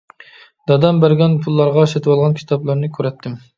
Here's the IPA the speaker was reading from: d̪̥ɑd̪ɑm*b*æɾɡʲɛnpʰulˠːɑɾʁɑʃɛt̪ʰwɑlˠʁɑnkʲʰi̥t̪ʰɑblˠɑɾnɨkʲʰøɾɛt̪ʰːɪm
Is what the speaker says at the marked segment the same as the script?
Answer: yes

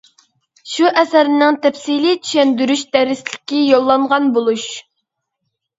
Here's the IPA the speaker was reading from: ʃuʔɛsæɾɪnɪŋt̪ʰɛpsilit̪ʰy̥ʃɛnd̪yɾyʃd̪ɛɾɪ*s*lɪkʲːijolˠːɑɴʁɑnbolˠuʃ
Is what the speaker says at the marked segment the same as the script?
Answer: yes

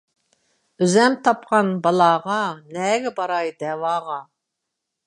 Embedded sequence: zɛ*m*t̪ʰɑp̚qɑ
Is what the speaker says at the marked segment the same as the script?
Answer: yes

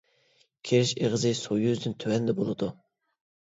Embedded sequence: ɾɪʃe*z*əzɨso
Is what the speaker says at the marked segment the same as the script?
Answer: no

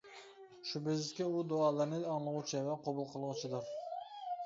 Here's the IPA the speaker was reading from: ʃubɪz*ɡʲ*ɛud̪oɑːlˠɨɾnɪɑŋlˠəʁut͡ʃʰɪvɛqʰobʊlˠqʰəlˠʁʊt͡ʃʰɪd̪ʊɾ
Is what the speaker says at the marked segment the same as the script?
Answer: no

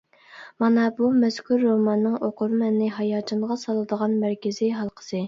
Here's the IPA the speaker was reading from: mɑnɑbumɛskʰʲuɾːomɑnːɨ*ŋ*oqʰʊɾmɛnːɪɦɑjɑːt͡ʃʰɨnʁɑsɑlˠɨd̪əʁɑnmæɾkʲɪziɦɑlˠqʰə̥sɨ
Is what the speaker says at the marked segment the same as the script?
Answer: yes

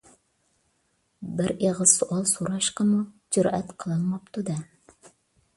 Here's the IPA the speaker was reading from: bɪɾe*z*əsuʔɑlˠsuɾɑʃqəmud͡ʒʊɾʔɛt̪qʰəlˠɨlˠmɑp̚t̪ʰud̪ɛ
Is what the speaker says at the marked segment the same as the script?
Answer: no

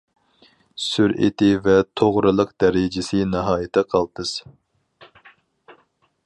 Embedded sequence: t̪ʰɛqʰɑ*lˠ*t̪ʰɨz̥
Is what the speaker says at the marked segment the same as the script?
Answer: yes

